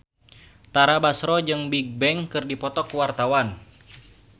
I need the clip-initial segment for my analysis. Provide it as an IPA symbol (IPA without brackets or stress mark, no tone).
t̪